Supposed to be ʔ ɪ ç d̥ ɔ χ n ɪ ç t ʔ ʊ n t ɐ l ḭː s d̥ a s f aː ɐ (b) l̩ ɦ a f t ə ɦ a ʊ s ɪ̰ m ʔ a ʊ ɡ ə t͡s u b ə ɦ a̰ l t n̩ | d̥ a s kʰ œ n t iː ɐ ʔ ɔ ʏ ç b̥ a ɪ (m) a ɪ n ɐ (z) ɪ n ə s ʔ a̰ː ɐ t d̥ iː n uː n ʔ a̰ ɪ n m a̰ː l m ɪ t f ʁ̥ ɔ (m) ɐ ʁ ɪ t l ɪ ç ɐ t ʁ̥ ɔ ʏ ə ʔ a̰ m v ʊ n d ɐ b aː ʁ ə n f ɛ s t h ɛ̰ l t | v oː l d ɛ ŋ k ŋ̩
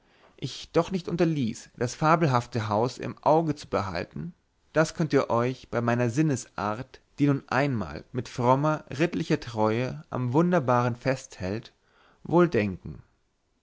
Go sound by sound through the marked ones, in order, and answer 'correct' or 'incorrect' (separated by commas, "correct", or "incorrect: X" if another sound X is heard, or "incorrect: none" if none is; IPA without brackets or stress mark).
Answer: correct, correct, correct, correct